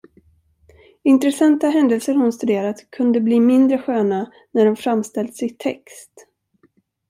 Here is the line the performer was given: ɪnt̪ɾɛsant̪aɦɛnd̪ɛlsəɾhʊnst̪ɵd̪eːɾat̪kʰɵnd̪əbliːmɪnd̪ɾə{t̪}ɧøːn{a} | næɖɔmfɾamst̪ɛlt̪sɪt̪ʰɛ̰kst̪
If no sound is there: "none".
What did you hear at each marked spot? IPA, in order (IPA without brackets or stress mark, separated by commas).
none, a